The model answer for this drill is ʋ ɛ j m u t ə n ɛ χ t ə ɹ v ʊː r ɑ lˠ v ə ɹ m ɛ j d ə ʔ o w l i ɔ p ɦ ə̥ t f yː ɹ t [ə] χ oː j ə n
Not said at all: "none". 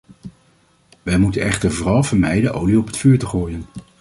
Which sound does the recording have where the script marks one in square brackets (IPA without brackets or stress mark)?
ə